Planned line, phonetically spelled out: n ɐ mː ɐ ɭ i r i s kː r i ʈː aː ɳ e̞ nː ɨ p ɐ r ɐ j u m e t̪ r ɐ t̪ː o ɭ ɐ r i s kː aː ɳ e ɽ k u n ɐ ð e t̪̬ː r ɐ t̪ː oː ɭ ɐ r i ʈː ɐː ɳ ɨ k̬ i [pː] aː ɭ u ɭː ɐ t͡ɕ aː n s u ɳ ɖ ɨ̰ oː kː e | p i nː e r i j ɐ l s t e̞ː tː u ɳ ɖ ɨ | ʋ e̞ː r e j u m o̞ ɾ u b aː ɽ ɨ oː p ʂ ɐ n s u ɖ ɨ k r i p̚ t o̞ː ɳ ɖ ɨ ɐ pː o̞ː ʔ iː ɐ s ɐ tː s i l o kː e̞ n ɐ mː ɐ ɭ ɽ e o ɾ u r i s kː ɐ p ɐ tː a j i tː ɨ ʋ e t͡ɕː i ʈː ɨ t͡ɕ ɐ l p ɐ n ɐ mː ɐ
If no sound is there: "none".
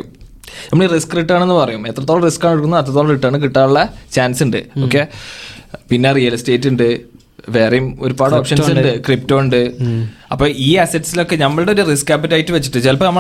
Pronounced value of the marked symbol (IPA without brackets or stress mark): ʈː